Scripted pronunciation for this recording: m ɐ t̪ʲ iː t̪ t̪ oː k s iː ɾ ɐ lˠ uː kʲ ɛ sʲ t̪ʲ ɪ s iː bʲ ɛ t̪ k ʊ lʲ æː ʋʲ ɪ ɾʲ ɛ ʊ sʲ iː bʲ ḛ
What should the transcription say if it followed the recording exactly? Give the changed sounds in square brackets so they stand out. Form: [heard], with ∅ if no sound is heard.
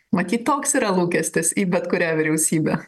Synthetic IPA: m ɐ t̪ʲ iː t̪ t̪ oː k s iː ɾ ɐ lˠ uː kʲ ɛ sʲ t̪ʲ ɪ s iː bʲ ɛ t̪ k ʊ [ɾʲ] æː ʋʲ ɪ ɾʲ ɛ ʊ sʲ iː bʲ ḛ